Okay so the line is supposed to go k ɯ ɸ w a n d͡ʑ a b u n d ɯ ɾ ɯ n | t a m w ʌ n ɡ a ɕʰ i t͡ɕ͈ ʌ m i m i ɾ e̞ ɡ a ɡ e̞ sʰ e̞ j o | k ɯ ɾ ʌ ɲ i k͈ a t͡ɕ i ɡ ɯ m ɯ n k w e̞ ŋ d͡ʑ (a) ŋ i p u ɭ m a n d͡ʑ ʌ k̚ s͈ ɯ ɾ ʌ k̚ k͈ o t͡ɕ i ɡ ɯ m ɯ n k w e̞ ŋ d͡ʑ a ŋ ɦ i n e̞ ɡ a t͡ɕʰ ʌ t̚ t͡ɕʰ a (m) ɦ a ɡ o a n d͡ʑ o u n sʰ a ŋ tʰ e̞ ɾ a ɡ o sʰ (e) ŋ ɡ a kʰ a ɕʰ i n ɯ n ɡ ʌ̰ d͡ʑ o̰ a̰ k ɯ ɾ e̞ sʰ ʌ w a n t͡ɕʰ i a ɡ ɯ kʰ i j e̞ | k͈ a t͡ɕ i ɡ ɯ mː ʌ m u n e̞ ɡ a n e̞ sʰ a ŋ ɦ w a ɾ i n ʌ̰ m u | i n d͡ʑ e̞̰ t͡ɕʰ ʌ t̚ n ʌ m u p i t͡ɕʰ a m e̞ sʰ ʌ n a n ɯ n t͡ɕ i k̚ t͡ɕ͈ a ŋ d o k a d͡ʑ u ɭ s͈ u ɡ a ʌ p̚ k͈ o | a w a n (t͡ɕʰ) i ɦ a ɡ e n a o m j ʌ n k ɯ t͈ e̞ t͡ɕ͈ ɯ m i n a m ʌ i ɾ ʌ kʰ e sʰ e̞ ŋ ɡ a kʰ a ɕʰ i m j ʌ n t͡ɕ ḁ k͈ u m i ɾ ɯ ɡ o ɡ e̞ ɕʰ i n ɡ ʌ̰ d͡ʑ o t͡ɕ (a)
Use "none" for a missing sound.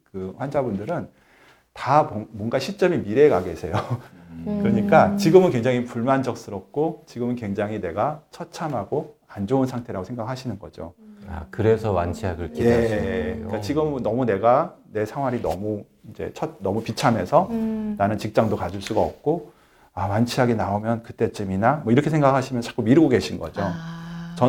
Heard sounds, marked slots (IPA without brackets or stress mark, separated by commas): a, m, e, t͡ɕʰ, ʌ